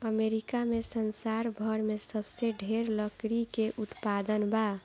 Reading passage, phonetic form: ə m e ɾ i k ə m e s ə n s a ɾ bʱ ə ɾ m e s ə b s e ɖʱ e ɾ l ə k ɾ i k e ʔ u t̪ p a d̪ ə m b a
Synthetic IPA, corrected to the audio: ə m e ɾ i k a m e s ə n s a ɾ bʱ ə ɾ m e s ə b s e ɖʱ e ɾ l ə k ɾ i k e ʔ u t̪ p a d̪ ə n b a